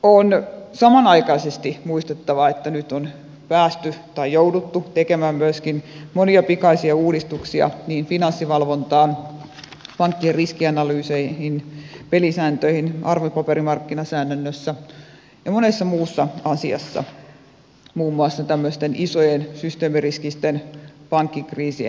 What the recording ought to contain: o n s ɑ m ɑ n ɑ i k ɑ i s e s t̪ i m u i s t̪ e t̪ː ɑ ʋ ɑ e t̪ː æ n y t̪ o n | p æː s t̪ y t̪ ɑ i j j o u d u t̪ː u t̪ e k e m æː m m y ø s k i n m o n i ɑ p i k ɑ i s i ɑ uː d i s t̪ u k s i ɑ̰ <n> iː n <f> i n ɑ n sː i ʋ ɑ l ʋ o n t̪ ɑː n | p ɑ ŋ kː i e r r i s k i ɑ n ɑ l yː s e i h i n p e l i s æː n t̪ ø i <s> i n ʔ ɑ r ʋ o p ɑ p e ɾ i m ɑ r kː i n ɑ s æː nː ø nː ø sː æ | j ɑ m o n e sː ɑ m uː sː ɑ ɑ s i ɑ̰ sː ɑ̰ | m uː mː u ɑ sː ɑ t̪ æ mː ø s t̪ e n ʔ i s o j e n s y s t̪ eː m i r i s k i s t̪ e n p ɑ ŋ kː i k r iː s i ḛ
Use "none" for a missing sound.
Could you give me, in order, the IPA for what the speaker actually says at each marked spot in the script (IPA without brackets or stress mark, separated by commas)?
n, f, h